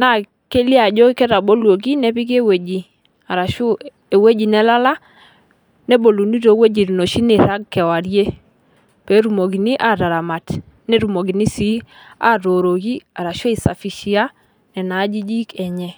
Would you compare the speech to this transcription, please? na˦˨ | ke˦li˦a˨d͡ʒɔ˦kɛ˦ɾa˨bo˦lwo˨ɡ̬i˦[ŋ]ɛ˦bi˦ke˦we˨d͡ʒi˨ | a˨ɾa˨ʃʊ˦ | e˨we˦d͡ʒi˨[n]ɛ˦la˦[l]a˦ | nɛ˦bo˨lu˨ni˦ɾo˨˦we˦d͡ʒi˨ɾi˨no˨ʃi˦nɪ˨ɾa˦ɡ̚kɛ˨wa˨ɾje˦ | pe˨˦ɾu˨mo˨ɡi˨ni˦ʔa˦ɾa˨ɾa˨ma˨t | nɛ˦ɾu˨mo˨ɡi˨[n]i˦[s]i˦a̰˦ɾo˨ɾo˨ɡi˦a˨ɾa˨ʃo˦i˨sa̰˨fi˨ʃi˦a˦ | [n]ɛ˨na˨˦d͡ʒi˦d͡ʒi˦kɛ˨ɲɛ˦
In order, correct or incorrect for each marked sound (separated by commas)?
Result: incorrect, correct, correct, correct, correct, correct